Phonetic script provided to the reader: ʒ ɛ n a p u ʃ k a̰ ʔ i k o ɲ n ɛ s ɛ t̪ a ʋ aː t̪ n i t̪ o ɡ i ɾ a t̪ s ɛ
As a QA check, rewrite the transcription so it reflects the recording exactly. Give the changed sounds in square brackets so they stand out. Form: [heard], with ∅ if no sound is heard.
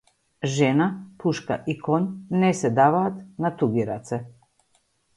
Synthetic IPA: ʒ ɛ n a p u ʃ k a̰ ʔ i k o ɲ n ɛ s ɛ [d̪] a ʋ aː t̪ n [a] t̪ [u] ɡ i ɾ a t̪ s ɛ